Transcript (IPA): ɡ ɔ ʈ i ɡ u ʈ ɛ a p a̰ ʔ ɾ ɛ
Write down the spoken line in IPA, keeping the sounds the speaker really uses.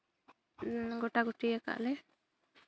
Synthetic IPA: ɡ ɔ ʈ a ɡ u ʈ i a k a̰ ʔ l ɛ